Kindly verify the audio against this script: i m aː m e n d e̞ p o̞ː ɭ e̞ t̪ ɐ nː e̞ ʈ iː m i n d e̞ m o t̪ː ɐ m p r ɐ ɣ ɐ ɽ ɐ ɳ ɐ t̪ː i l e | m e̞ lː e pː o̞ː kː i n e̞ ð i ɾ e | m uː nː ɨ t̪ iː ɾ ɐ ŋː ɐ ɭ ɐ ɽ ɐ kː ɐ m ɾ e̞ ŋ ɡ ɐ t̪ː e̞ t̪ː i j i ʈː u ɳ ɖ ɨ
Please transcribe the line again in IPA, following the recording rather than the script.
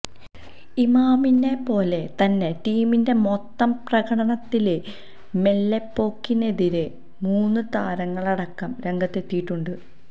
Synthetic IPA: i m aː m i n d e̞ p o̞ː l e̞ t̪ ɐ nː e̞ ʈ iː m i n d e̞ m o t̪ː ɐ m p r ɐ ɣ ɐ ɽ ɐ ɳ ɐ t̪ː i l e | m e̞ lː e pː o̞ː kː i n e̞ ð i ɾ e | m uː nː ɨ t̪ aː ɾ ɐ ŋː ɐ ɭ ɐ ɽ ɐ kː ɐ m ɾ e̞ ŋ ɡ ɐ t̪ː e̞ t̪ː i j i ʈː u ɳ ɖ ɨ

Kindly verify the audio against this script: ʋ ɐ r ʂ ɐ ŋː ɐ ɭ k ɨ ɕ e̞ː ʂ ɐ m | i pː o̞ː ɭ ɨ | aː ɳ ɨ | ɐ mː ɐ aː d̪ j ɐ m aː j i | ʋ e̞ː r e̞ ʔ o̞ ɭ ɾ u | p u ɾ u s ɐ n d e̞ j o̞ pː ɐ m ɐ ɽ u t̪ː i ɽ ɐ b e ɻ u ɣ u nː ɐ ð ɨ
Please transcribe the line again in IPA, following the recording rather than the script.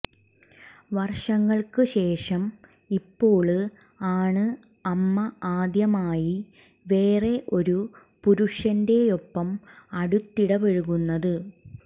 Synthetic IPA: ʋ ɐ r ʂ ɐ ŋː ɐ ɭ k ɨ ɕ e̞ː ʂ ɐ m | i pː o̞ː ɭ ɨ | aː ɳ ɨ | ɐ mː ɐ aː d̪ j ɐ m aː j i | ʋ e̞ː r e̞ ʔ o̞ ɾ u | p u ɾ u ʂ ɐ n d e̞ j o̞ pː ɐ m ɐ ɽ u t̪ː i ɽ ɐ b e ɻ u ɣ u nː ɐ ð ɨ

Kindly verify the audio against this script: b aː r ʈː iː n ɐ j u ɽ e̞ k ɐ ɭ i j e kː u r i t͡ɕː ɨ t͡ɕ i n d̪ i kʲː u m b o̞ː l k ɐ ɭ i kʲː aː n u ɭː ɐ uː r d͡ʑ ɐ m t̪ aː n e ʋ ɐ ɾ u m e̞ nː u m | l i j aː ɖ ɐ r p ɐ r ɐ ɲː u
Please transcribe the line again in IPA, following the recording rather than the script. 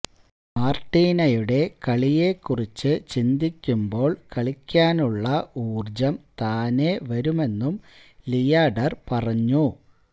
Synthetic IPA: m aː r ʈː iː n ɐ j u ɽ e̞ k ɐ ɭ i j e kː u r i t͡ɕː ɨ t͡ɕ i n d̪ i kʲː u m b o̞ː ɭ k ɐ ɭ i kʲː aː n u ɭː ɐ uː r d͡ʑ ɐ m t̪ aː n e ʋ ɐ ɾ u m e̞ nː u m | l i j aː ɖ ɐ r p ɐ r ɐ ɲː u

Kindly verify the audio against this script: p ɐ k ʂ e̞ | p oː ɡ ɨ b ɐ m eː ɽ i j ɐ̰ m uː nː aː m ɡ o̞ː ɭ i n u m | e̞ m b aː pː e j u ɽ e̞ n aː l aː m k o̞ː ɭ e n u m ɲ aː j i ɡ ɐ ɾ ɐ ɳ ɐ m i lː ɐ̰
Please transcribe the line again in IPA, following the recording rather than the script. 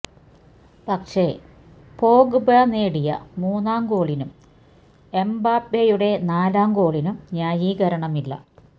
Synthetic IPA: p ɐ k ʂ e̞ | p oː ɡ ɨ b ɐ n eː ɽ i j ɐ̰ m uː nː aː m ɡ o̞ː ɭ i n u m | e̞ m b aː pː e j u ɽ e̞ n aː l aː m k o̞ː ɭ i n u m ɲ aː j i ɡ ɐ ɾ ɐ ɳ ɐ m i lː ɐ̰

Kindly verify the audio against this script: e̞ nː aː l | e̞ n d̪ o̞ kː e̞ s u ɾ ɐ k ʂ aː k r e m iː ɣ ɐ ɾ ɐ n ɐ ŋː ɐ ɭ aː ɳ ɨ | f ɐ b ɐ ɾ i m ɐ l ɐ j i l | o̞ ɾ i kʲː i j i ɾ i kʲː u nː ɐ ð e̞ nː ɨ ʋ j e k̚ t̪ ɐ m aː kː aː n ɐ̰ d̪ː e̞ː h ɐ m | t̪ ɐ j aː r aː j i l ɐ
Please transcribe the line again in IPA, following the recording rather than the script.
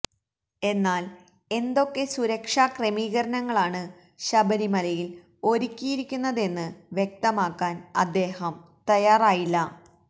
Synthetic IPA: e̞ nː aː l | e̞ n d̪ o̞ kː e̞ s u ɾ ɐ k ʂ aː k r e m iː ɣ ɐ ɾ ɐ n ɐ ŋː ɐ ɭ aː ɳ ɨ | ɕ ɐ b ɐ ɾ i m ɐ l ɐ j i l | o̞ ɾ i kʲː i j i ɾ i kʲː u nː ɐ ð e̞ nː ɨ ʋ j e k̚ t̪ ɐ m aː kː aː n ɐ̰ d̪ː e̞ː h ɐ m | t̪ ɐ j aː r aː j i lː ɐ

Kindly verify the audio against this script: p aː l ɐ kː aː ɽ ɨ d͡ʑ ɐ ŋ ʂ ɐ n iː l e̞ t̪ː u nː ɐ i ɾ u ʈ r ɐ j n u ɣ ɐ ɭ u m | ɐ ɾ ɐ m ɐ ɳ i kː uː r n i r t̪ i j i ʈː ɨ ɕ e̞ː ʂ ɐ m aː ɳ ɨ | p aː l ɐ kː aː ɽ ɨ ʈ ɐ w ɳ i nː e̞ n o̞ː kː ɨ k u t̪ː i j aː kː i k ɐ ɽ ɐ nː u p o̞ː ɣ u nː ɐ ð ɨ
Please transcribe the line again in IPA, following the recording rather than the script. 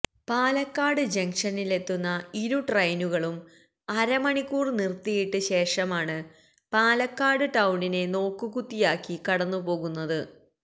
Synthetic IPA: p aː l ɐ kː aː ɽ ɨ d͡ʑ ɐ ŋ ʂ ɐ n i l e̞ t̪ː u nː ɐ i ɾ u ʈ r ɐ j n u ɣ ɐ ɭ u m | ɐ ɾ ɐ m ɐ ɳ i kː uː r n i r t̪ i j i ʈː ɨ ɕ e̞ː ʂ ɐ m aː ɳ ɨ | p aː l ɐ kː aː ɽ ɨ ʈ ɐ w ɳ i n e̞ n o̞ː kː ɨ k u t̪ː i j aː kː i k ɐ ɽ ɐ nː u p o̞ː ɣ u nː ɐ ð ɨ

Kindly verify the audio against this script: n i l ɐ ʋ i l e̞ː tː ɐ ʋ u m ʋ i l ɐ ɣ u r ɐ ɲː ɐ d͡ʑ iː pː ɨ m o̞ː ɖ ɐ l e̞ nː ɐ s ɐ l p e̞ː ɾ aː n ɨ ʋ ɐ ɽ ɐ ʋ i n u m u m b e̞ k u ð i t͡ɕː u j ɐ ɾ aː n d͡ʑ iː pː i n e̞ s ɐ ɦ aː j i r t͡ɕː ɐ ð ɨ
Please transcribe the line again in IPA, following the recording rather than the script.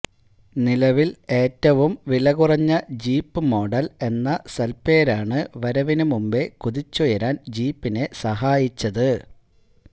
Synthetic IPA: n i l ɐ ʋ i l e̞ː tː ɐ ʋ u m ʋ i l ɐ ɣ u r ɐ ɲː ɐ d͡ʑ iː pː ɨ m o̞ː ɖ ɐ l e̞ nː ɐ s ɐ l p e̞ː ɾ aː ɳ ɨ ʋ ɐ ɾ ɐ ʋ i n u m u m b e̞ k u ð i t͡ɕː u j ɐ ɾ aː n d͡ʑ iː pː i n e̞ s ɐ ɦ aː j i t͡ɕː ɐ ð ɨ

